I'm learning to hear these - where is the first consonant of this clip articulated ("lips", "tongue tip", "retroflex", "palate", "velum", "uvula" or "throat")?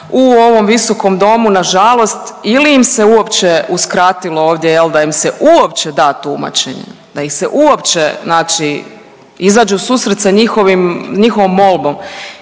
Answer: lips